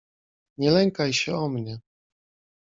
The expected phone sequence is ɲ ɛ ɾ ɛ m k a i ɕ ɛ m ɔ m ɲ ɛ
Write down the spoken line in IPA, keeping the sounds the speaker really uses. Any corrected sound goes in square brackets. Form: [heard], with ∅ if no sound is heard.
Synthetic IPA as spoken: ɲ ɛ [l] ɛ [ŋ] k a [j] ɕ ɛ [∅] ɔ m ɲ ɛ

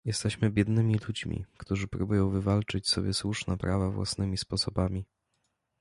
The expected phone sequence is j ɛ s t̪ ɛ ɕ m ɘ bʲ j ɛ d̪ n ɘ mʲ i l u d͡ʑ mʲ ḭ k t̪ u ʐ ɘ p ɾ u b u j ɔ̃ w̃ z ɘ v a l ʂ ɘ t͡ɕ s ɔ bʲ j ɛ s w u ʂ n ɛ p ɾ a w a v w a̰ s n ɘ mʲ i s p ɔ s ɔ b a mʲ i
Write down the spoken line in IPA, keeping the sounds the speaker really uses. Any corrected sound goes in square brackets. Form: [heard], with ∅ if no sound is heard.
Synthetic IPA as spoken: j ɛ s t̪ ɛ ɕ m ɘ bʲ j ɛ d̪ n ɘ mʲ i l u d͡ʑ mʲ ḭ k t̪ u ʐ ɘ p ɾ u b u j ɔ̃ w̃ [v] ɘ v a l [t͡ʂ] ɘ t͡ɕ s ɔ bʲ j ɛ s w u ʂ n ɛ p ɾ a [v] a v w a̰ s n ɘ mʲ i s p ɔ s ɔ b a mʲ i

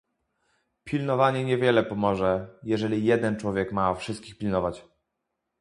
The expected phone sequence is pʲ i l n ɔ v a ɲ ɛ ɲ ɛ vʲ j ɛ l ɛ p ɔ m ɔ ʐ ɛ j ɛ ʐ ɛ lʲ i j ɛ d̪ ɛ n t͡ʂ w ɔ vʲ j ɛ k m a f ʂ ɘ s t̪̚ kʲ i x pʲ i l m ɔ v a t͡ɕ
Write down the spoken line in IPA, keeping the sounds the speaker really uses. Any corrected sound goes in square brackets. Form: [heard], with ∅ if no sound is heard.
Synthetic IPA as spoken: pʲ i l n ɔ v a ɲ ɛ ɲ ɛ vʲ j ɛ l ɛ p ɔ m ɔ ʐ ɛ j ɛ ʐ ɛ lʲ i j ɛ d̪ ɛ n t͡ʂ w ɔ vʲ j ɛ k m a f ʂ ɘ s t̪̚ kʲ i x pʲ i l [n] ɔ v a t͡ɕ

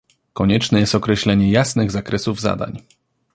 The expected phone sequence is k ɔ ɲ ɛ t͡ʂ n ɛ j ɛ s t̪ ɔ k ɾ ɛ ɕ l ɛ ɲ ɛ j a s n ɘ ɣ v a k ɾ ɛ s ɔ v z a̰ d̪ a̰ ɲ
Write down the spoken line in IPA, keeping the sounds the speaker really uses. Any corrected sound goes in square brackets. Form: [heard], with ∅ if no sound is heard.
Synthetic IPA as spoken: k ɔ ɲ ɛ t͡ʂ n ɛ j ɛ s t̪ ɔ k ɾ ɛ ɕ l ɛ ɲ ɛ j a s n ɘ ɣ [z] a k ɾ ɛ s [u] v z a̰ d̪ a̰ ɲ

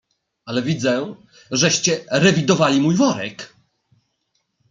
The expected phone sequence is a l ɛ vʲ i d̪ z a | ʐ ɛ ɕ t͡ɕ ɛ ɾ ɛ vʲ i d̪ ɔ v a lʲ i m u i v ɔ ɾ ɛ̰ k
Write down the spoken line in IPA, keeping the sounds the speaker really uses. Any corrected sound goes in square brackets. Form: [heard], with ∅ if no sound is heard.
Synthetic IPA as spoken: a l ɛ vʲ i d̪ z [ɛ] | ʐ ɛ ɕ t͡ɕ ɛ ɾ ɛ vʲ i d̪ ɔ v a lʲ i m u [j] v ɔ ɾ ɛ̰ k

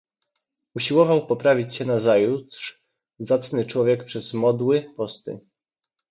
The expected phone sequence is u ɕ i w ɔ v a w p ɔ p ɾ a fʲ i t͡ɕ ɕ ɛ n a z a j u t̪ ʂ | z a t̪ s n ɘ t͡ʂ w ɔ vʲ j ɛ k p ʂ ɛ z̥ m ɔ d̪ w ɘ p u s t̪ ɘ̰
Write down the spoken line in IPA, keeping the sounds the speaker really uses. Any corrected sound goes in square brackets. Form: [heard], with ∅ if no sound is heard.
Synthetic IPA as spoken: u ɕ i w ɔ v a w p ɔ p ɾ a [vʲ] i t͡ɕ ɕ ɛ n a z a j u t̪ ʂ | z a t̪ s n ɘ t͡ʂ w ɔ vʲ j ɛ k p ʂ ɛ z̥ m ɔ d̪ w ɘ p [ɔ] s t̪ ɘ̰

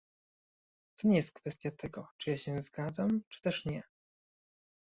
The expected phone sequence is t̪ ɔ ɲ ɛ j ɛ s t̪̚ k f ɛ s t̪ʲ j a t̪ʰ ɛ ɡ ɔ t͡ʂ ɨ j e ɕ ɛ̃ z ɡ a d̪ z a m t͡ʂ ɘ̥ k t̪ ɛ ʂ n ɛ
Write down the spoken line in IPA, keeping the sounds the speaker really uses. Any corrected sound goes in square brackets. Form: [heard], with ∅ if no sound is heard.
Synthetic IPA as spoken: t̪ ɔ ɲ ɛ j ɛ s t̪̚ k f ɛ s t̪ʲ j a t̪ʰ ɛ ɡ ɔ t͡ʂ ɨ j [a] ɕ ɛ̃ z ɡ a d̪ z a m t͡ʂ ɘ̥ [∅] t̪ ɛ ʂ [ɲ] ɛ

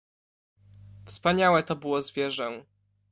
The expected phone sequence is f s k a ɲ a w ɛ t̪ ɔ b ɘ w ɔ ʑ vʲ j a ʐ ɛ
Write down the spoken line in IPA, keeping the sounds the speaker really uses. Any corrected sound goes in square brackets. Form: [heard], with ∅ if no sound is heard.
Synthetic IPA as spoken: f s [p] a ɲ a w ɛ t̪ ɔ b ɘ w ɔ [z] vʲ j [ɛ] ʐ ɛ

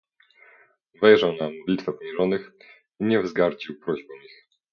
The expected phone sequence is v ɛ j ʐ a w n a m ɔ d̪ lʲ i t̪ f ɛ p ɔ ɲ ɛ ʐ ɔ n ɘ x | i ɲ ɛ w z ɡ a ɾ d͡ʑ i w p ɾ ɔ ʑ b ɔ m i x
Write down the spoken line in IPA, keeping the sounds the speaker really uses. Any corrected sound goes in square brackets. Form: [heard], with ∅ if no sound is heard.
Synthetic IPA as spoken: v ɛ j ʐ a w n a m ɔ d̪ lʲ i t̪ f ɛ p ɔ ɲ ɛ ʐ ɔ n ɘ x | i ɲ ɛ [v] z ɡ a ɾ d͡ʑ i w p ɾ ɔ ʑ b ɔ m i x

